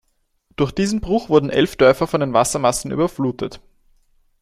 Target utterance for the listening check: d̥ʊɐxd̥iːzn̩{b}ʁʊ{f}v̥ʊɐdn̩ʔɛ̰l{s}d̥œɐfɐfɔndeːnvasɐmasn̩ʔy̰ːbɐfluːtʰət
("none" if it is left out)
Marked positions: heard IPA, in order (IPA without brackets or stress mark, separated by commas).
b, x, f